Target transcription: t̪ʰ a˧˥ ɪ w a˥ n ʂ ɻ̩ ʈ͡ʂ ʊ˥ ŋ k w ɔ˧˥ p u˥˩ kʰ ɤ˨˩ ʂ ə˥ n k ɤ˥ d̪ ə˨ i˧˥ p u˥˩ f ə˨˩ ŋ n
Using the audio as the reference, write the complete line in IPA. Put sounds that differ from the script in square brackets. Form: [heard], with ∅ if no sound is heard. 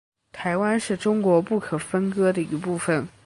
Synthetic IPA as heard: t̪ʰ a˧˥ ɪ w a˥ n ʂ ɻ̩ ʈ͡ʂ ʊ˥ ŋ k w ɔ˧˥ p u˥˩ kʰ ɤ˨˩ [f] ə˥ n k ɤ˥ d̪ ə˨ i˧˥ p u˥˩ f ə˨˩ [∅] n